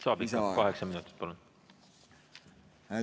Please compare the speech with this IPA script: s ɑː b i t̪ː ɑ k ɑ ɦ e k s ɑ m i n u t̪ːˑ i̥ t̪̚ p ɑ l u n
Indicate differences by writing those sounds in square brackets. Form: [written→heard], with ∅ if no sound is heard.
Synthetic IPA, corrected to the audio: s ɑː b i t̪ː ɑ k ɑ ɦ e k s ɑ m i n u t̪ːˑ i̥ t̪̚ p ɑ l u n

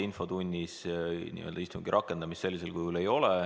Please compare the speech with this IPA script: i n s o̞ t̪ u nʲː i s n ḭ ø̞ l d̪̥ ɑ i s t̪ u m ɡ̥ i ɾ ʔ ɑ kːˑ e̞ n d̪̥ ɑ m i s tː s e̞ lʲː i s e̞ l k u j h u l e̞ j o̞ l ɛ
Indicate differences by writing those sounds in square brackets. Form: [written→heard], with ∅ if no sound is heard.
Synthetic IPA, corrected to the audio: i n [s→f] o̞ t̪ u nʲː i s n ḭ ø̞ l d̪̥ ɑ i s t̪ u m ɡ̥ i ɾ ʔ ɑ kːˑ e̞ n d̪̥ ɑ m i s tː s e̞ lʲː i s e̞ l k u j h u l e̞ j o̞ l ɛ

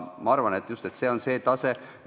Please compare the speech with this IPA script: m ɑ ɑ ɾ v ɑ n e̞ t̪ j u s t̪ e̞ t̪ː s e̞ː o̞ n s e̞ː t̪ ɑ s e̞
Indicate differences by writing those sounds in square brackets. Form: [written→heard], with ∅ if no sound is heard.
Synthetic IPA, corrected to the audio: m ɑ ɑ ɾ v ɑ n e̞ t̪ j u s t̪ e̞ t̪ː s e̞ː o̞ n s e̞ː t̪ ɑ s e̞

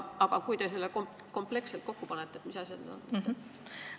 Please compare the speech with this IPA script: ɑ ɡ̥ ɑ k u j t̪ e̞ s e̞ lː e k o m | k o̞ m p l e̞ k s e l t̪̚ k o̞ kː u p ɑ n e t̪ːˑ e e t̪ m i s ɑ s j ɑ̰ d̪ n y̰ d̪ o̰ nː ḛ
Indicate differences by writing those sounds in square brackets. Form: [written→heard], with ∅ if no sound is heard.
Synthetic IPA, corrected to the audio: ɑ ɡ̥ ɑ k u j t̪ e̞ s e̞ lː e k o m | k o̞ m p l e̞ k s e l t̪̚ k o̞ kː u p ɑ n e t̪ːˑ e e t̪ m i s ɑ s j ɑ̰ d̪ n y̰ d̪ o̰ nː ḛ

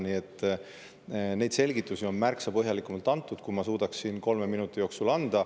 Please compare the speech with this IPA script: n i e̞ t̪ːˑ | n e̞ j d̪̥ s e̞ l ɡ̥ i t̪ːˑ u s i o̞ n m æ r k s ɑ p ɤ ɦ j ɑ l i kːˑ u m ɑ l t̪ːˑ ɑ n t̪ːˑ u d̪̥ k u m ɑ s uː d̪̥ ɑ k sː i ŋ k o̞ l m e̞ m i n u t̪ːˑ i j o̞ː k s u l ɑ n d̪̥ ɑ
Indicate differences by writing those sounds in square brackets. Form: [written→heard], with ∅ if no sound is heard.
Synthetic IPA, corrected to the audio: n i e̞ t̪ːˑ | n e̞ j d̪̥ s e̞ l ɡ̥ i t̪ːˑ u s i o̞ n m æ r k s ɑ p ɤ ɦ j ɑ l i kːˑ u m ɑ l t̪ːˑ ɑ n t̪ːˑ u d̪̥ k u m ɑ s uː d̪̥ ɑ k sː i [ŋ→n] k o̞ l m e̞ m i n u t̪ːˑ i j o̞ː k s u l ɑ n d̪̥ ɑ

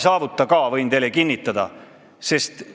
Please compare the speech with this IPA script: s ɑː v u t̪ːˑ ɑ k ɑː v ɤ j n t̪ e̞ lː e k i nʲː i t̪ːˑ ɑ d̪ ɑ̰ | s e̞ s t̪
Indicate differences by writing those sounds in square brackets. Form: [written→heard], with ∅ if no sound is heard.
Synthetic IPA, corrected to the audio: s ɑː v u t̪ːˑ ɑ k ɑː v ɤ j n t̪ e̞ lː e k i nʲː i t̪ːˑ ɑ d̪ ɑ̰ | s e̞ s t̪

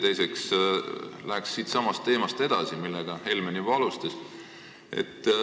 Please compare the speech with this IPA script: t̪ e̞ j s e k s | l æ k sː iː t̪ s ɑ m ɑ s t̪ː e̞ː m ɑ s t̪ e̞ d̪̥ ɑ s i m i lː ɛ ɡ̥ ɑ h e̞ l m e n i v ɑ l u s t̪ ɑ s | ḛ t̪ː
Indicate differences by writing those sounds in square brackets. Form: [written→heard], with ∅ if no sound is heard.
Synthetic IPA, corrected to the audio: t̪ e̞ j s e k s | l æ k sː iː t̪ s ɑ m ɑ s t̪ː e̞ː m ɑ s t̪ e̞ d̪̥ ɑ s i m i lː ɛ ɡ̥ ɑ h e̞ l m e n i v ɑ l u s t̪ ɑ s | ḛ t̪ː

